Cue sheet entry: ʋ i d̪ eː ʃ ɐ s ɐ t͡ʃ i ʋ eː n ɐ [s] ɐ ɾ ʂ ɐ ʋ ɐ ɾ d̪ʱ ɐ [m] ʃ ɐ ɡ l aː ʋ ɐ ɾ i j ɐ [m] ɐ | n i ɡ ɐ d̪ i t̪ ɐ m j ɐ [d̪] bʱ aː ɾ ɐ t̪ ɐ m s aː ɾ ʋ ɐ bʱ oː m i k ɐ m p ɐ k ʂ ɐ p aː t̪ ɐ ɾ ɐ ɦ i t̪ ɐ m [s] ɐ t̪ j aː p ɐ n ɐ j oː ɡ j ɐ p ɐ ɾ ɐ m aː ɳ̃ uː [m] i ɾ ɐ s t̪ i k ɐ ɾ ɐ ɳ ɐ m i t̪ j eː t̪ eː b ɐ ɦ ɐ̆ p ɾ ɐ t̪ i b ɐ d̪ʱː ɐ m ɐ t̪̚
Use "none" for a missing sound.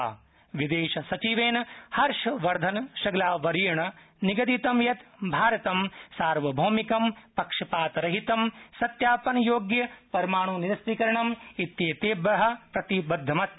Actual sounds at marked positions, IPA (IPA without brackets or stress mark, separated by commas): h, n, ɳ, t̪, s, n